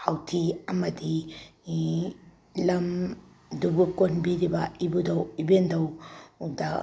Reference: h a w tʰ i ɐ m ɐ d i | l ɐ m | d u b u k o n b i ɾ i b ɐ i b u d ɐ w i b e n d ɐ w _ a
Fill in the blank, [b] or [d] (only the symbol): d